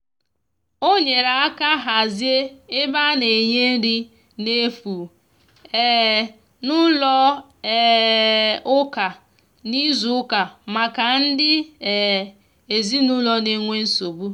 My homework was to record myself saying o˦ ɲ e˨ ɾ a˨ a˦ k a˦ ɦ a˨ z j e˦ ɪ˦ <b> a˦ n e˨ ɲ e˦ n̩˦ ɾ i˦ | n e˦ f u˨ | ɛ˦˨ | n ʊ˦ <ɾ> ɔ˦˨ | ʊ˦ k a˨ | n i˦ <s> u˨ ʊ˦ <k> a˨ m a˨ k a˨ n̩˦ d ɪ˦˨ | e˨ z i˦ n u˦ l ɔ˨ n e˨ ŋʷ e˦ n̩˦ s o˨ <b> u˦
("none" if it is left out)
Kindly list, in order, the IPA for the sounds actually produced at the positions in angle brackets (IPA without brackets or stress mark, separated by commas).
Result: b, l, z, k, b